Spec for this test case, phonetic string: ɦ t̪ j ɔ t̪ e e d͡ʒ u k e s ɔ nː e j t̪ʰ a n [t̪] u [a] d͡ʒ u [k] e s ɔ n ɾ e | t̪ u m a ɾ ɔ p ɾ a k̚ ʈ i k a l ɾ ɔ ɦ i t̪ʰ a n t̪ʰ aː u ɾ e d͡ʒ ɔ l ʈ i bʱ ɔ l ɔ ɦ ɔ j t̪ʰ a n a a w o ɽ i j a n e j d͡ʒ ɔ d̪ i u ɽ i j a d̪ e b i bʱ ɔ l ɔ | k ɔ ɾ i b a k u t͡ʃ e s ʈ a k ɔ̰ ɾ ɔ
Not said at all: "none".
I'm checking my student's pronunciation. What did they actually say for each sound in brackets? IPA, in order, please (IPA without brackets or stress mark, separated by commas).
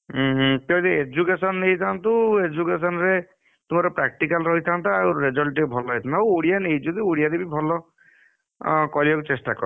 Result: t̪, e, k